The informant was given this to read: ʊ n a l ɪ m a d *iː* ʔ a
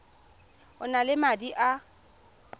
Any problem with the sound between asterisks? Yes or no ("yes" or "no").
yes